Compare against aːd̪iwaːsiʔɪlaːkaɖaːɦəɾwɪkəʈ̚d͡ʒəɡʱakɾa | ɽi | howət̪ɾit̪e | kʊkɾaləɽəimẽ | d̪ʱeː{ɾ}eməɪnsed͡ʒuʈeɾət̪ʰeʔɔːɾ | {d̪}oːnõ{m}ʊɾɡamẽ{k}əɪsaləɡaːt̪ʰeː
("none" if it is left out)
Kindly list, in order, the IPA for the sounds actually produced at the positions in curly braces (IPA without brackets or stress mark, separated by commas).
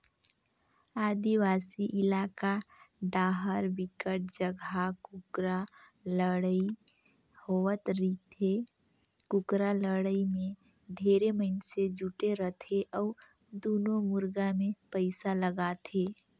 ɾ, d̪, m, p